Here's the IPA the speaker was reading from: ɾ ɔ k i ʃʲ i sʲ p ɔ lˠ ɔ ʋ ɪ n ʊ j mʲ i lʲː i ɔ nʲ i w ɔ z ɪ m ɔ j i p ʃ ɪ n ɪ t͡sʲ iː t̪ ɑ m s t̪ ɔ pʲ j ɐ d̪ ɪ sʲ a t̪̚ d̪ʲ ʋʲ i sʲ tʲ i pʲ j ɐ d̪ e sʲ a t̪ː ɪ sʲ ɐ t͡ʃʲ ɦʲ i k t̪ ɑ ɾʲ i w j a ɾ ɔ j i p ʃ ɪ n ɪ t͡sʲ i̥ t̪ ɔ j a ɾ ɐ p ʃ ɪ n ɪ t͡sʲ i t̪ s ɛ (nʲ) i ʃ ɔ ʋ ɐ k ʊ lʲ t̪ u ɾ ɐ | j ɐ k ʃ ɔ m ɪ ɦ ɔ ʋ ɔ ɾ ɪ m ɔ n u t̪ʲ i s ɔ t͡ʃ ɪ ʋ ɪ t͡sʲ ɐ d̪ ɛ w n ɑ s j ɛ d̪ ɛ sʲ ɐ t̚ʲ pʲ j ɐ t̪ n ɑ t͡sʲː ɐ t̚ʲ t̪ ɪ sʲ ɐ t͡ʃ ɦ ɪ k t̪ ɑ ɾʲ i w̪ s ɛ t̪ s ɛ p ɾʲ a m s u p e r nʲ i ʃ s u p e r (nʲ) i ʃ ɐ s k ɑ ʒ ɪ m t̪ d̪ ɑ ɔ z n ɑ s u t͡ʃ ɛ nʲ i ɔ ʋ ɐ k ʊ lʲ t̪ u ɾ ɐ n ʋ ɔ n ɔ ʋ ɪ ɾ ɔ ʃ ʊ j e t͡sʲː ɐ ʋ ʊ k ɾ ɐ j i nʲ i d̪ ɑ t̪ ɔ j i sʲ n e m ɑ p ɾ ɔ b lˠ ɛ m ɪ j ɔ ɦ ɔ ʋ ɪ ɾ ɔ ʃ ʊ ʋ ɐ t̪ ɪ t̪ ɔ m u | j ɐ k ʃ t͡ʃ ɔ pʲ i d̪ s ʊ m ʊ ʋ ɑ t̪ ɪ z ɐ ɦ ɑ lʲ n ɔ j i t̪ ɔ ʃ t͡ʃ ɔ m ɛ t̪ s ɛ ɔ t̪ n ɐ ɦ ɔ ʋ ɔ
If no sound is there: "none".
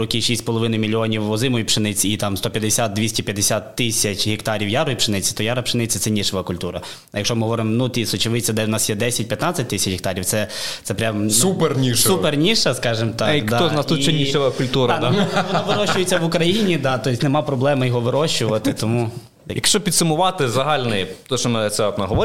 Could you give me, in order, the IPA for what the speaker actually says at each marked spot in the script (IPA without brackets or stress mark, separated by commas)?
nʲ, nʲ